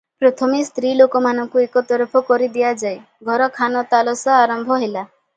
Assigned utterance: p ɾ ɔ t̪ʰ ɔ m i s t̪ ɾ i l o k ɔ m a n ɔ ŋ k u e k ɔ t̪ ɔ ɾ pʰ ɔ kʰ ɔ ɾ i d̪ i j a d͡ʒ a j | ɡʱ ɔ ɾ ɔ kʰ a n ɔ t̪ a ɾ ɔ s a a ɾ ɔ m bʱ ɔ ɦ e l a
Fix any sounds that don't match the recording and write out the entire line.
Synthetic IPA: p ɾ ɔ t̪ʰ ɔ m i s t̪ ɾ i l o k ɔ m a n ɔ ŋ k u e k ɔ t̪ ɔ ɾ pʰ ɔ k ɔ ɾ i d̪ i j a d͡ʒ a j | ɡʱ ɔ ɾ ɔ kʰ a n ɔ t̪ a l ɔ s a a ɾ ɔ m bʱ ɔ ɦ e l a